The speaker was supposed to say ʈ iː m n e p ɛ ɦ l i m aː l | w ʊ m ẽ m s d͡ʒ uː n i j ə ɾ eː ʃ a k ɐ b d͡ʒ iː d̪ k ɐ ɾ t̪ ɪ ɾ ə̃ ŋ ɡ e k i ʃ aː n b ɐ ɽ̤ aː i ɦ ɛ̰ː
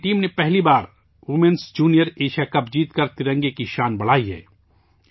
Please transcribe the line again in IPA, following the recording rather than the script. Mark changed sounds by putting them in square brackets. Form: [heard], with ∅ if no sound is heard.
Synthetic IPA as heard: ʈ iː m n e p ɛ ɦ l i [b] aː [ɾ] | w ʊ m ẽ [n] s d͡ʒ uː n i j ə ɾ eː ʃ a k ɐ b d͡ʒ iː [t̪] k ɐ ɾ t̪ ɪ ɾ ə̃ ŋ ɡ e k i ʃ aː n b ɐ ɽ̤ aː i ɦ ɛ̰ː